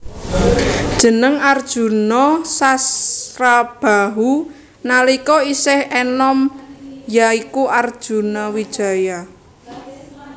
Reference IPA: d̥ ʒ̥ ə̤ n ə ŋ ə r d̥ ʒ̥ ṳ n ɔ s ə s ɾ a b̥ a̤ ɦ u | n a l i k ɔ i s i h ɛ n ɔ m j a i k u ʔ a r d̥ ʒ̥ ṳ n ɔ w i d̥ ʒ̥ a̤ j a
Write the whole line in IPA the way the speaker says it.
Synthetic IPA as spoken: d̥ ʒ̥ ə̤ n ə ŋ a r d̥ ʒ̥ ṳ n ɔ s a s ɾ a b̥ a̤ ɦ u | n a l i k ɔ i s ɪ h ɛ n ɔ m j a i k u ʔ a r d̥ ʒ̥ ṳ n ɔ w i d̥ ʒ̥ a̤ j a